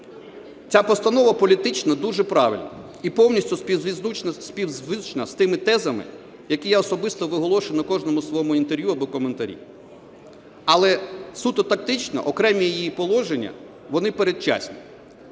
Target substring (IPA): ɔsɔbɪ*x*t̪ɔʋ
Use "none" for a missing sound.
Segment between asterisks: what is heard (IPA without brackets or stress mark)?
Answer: s